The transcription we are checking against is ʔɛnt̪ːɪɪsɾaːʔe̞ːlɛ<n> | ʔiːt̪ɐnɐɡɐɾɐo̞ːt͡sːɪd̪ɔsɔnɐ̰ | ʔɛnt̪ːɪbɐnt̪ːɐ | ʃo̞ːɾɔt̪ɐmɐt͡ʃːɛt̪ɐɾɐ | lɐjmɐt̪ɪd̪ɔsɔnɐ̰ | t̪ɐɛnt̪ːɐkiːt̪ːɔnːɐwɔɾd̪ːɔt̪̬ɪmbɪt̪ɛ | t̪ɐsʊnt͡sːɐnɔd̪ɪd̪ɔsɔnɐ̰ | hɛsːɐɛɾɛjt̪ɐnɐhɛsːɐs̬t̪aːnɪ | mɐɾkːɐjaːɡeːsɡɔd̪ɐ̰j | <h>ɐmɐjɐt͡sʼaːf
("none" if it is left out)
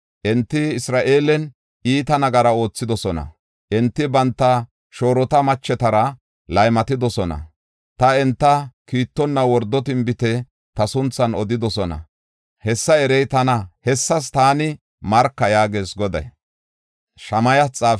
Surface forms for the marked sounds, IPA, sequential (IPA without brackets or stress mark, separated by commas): n, ʃ